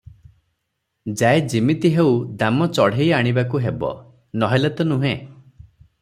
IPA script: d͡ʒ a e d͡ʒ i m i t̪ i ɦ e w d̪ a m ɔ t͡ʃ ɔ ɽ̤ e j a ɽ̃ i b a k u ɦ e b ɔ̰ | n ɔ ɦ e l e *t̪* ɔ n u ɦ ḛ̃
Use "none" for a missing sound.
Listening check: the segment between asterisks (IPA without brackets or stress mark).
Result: t̪